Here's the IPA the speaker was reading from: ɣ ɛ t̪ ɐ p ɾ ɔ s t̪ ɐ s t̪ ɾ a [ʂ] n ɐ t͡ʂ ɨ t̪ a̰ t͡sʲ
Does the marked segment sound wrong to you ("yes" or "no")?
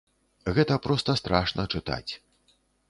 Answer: no